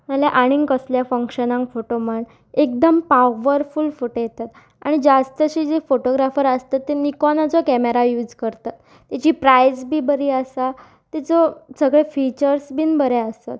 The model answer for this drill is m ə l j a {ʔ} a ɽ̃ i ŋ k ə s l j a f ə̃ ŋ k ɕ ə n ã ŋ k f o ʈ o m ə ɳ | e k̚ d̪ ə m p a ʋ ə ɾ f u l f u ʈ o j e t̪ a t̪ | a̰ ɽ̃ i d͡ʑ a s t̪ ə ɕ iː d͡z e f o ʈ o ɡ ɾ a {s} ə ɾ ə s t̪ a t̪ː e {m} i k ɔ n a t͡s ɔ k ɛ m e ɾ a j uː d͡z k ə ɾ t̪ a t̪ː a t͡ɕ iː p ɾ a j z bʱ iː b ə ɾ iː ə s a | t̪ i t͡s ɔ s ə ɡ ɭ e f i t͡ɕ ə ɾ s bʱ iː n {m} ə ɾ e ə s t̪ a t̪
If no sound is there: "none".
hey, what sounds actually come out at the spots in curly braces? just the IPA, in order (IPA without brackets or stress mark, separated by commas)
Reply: ʔ, f, n, b